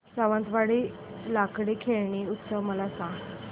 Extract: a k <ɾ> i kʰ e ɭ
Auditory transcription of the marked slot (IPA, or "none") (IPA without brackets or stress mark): ɽ